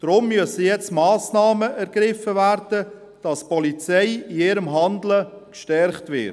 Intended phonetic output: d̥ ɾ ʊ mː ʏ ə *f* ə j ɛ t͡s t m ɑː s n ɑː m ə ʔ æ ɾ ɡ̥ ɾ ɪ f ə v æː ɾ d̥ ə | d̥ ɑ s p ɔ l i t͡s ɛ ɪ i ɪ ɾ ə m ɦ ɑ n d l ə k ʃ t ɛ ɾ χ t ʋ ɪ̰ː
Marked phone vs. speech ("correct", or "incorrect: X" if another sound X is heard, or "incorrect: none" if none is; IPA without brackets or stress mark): incorrect: s